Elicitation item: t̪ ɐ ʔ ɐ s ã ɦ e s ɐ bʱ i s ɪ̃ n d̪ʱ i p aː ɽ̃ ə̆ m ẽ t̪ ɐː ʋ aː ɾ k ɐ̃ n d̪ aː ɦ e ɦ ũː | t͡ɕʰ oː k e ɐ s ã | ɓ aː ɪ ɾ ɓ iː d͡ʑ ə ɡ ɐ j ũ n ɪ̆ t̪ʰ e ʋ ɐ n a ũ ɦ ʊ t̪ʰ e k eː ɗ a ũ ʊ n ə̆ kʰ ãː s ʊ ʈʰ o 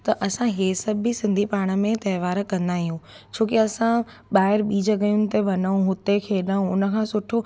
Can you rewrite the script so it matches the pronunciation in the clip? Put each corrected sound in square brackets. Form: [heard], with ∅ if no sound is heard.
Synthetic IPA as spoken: t̪ ɐ ʔ ɐ s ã ɦ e s ɐ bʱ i s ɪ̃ n d̪ʱ i p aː ɽ̃ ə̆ m ẽ t̪ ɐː ʋ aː ɾ k ɐ̃ n d̪ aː ɦ [i] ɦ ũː | t͡ɕʰ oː k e ɐ s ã | ɓ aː ɪ ɾ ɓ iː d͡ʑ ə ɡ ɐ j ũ n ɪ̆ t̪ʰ e ʋ ɐ n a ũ ɦ ʊ [t̪] e [kʰ] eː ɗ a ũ ʊ n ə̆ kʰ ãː s ʊ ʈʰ o